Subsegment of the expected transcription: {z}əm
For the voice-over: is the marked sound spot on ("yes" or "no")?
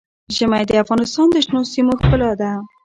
no